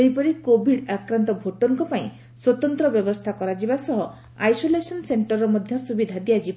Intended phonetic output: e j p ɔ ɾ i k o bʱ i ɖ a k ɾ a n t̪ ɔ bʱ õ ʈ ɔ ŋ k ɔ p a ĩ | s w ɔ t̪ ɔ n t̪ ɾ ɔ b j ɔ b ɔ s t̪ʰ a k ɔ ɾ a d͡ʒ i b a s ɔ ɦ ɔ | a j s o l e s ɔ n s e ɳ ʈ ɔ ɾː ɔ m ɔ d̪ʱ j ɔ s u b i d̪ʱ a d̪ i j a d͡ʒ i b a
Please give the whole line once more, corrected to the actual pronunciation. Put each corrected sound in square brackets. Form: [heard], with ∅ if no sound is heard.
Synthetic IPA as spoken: e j p ɔ ɾ i k o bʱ i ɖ a k ɾ a n t̪ ɔ bʱ [o] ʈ ɔ ŋ k ɔ p a ĩ | s w ɔ t̪ ɔ n t̪ ɾ ɔ b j ɔ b ɔ s t̪ʰ a k ɔ ɾ a d͡ʒ i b a s ɔ ɦ ɔ | a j s o l e s ɔ n s e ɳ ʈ ɔ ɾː ɔ m ɔ d̪ʱ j ɔ s u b i d̪ʱ a d̪ i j a d͡ʒ i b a

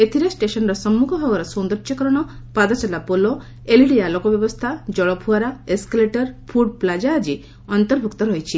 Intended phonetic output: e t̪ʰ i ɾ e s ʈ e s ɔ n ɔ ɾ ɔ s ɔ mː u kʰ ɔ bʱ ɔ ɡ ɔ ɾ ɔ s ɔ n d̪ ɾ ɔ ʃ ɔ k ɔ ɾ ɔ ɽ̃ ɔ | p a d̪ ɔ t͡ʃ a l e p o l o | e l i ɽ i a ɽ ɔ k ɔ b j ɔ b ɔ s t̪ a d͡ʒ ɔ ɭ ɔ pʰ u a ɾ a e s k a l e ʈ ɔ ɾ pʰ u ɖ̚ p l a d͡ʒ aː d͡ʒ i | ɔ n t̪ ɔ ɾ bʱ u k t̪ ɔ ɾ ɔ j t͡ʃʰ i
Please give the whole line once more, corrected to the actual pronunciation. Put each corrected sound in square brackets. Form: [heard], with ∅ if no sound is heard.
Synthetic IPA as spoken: e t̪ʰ i ɾ e s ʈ e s ɔ n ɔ ɾ ɔ s ɔ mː u kʰ ɔ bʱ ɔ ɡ ɔ ɾ ɔ s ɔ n d̪ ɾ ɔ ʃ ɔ k ɔ ɾ ɔ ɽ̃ ɔ | p a d̪ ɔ t͡ʃ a l [a] p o l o | e l i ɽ i a [l] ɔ k ɔ b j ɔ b ɔ s [t̪ʰ] a d͡ʒ ɔ ɭ ɔ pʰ u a ɾ a e s k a l e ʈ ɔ ɾ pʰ u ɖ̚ p l a d͡ʒ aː d͡ʒ i | ɔ n t̪ ɔ ɾ bʱ u k t̪ ɔ ɾ ɔ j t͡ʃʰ i

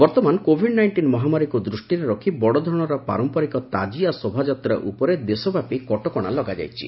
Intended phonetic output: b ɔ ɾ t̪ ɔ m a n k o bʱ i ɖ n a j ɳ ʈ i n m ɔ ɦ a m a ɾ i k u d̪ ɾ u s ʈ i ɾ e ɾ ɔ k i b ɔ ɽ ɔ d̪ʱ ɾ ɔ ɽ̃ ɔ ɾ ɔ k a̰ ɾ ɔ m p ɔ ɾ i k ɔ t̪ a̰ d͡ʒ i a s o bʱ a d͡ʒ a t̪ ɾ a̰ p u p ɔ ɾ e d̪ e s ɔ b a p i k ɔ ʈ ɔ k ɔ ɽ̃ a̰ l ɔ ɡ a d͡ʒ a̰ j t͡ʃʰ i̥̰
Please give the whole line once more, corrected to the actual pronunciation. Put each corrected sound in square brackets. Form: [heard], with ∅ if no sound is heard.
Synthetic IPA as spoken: b ɔ ɾ t̪ ɔ m a n k o bʱ i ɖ n a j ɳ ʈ i n m ɔ ɦ a m a ɾ i k u d̪ ɾ u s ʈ i ɾ e ɾ ɔ [kʰ] i b ɔ ɽ ɔ d̪ʱ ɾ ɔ ɽ̃ ɔ ɾ ɔ [p] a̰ ɾ ɔ m p ɔ ɾ i k ɔ t̪ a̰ d͡ʒ i a s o bʱ a d͡ʒ a t̪ ɾ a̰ [ʔ] u p ɔ ɾ e d̪ e s ɔ b a p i k ɔ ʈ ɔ k ɔ ɽ̃ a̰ l ɔ ɡ a d͡ʒ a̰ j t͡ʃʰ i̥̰

